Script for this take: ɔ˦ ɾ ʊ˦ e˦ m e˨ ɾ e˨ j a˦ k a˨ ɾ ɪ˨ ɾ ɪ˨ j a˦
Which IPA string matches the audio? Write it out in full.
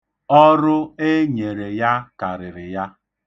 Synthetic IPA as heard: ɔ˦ ɾ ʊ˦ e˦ ɲ e˨ ɾ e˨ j a˦ k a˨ ɾ ɪ˨ ɾ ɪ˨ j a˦